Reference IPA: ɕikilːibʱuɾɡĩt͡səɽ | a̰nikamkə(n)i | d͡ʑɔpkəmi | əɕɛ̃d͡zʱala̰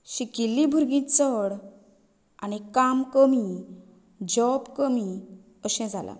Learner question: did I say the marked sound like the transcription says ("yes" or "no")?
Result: no